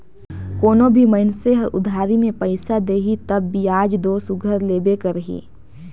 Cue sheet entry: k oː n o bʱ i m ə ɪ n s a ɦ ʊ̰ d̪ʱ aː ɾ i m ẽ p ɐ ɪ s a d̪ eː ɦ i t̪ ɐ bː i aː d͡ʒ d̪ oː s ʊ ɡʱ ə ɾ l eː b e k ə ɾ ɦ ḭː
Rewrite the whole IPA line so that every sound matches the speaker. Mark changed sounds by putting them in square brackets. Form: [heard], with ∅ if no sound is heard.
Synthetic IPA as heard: k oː n o bʱ i m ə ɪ n s [e] ɦ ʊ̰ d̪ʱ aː ɾ i m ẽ p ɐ ɪ s a d̪ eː ɦ i t̪ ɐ bː i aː d͡ʒ d̪ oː s ʊ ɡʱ ə ɾ l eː b e k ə ɾ ɦ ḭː